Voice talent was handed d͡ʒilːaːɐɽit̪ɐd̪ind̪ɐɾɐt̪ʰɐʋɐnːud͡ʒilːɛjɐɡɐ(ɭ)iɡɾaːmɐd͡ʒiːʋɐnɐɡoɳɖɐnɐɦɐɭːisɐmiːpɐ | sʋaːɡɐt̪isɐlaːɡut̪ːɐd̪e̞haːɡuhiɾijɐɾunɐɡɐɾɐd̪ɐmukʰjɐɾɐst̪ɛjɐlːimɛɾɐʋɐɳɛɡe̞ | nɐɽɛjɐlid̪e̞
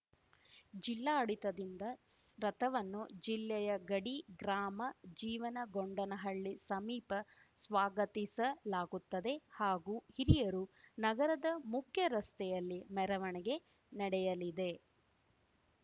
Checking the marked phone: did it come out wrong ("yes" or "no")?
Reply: yes